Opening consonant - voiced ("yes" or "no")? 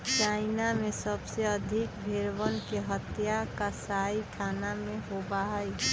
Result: no